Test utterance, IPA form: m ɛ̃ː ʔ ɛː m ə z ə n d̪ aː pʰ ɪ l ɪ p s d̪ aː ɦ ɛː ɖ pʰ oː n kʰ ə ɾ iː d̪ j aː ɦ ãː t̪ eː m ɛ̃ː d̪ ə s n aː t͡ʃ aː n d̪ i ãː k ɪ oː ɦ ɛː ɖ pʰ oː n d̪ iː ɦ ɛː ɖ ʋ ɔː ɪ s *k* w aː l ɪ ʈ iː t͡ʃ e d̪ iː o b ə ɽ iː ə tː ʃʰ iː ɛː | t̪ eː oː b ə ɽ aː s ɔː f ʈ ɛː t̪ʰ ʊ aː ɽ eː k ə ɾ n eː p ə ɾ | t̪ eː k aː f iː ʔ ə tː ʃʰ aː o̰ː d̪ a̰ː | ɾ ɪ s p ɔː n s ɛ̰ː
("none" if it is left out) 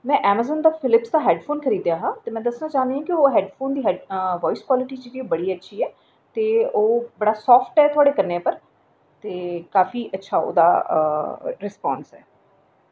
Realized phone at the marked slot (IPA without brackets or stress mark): k